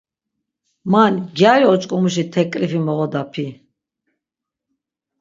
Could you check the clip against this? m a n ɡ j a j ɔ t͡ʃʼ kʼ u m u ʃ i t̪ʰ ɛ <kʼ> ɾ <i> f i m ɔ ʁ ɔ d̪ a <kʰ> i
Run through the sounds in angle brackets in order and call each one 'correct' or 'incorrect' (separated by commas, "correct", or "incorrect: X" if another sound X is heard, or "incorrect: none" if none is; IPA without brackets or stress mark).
correct, correct, incorrect: pʰ